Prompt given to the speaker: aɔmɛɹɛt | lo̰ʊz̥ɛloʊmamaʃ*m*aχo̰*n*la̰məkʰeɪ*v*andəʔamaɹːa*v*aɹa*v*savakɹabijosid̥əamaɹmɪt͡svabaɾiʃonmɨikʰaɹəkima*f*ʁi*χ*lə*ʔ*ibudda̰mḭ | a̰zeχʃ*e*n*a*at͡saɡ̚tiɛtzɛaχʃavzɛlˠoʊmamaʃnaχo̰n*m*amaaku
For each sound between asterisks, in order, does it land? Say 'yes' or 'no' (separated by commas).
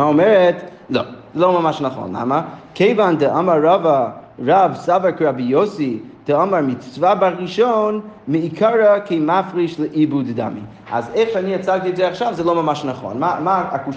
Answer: no, yes, yes, yes, yes, yes, no, yes, no, no, yes